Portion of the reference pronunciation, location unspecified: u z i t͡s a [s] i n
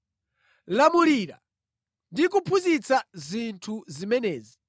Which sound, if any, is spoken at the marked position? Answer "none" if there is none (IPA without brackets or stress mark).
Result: z